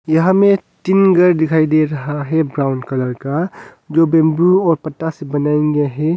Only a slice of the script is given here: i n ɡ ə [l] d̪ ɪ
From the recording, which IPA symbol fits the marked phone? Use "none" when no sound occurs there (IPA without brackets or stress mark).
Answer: ɾ